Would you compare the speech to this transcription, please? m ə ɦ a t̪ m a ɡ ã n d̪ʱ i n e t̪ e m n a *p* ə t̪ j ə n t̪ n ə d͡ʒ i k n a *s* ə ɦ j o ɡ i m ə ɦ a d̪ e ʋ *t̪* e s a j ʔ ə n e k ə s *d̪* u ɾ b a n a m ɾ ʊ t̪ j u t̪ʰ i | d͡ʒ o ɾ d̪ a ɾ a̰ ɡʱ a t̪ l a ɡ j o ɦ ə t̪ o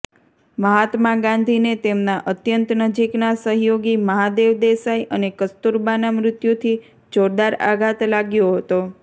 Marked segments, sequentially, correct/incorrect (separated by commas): incorrect, correct, incorrect, incorrect